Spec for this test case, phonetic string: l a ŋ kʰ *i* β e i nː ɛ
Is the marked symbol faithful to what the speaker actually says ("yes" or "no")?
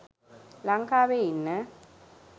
no